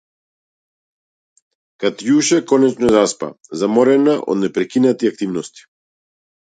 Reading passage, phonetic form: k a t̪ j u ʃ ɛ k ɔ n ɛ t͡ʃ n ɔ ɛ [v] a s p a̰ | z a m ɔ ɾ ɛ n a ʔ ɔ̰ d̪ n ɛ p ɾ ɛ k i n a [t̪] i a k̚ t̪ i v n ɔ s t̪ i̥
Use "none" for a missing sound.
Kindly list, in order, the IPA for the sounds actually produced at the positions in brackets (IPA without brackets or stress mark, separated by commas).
z, t̪